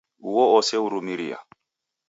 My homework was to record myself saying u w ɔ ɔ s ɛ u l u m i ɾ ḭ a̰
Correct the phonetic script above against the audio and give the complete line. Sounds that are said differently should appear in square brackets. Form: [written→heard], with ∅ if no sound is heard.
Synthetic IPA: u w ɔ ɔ s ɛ u [l→ɾ] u m i ɾ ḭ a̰